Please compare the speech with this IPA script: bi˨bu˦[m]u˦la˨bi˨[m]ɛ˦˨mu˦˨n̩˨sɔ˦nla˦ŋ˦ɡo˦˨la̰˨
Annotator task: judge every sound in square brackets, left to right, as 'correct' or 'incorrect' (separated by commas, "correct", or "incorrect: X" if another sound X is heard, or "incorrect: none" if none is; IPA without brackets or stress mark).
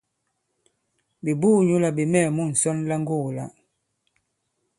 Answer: incorrect: ɲ, correct